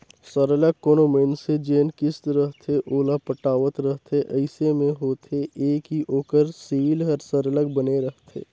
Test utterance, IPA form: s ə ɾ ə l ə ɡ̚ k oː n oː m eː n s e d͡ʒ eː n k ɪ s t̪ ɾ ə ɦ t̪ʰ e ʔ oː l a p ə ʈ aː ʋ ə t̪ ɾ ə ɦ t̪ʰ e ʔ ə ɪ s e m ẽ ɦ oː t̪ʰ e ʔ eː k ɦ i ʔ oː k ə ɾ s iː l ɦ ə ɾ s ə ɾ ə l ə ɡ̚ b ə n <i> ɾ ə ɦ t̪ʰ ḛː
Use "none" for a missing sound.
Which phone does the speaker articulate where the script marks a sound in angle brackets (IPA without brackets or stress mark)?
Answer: e